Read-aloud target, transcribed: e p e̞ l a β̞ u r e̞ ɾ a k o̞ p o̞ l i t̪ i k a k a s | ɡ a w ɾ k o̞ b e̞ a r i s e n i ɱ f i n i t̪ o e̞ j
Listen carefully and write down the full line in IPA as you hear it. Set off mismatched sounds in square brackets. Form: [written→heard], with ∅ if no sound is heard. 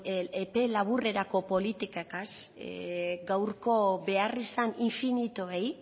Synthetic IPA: e p e̞ l a β̞ u r e̞ ɾ a k o̞ p o̞ l i t̪ i k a k a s | ɡ a w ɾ k o̞ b e̞ a r i s [e→a] n i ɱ f i n i t̪ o e̞ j